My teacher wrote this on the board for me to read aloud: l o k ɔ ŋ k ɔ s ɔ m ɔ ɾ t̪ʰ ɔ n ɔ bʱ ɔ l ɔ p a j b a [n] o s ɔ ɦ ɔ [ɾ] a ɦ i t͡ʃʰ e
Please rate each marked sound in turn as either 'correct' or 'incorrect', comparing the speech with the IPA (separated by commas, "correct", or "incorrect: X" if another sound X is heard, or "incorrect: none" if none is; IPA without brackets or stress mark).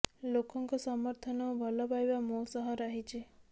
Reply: incorrect: m, correct